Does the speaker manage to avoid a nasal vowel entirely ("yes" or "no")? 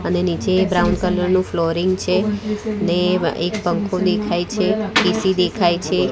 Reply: no